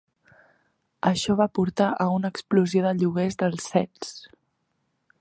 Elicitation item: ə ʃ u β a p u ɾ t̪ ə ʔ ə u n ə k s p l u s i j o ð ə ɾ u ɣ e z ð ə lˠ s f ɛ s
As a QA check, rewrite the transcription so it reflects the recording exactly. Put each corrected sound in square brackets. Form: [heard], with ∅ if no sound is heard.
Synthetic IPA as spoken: ə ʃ [ɔ] β a p u ɾ t̪ [a] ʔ ə u n ə k s p l u [z] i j o ð ə [ʎ] u ɣ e z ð ə lˠ s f ɛ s